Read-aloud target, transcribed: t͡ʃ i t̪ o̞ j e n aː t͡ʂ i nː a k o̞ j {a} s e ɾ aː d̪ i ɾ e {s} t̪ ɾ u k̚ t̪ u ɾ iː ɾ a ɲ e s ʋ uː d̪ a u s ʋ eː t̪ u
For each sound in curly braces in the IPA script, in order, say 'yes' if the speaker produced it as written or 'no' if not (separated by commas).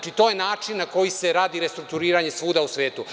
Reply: no, yes